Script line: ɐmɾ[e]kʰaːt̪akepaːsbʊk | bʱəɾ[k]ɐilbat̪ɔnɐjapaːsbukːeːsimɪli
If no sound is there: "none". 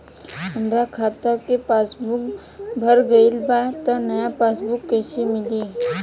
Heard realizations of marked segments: a, ɡ

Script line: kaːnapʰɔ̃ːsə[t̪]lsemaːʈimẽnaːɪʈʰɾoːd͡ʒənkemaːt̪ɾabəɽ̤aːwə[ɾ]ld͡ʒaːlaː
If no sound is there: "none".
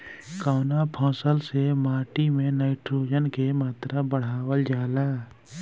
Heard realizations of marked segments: none, none

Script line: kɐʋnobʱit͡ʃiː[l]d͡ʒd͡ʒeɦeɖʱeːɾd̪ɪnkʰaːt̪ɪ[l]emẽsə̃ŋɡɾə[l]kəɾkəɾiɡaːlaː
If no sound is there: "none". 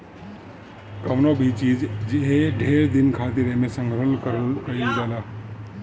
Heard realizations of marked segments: none, ɾ, l

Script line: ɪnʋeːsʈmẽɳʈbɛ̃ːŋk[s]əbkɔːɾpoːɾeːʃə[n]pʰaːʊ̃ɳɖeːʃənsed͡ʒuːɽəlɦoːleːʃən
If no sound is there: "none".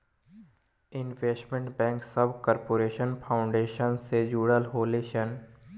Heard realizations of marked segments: s, n

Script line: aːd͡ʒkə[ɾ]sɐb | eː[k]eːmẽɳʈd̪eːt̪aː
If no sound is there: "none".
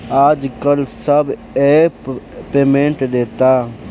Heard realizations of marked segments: l, p

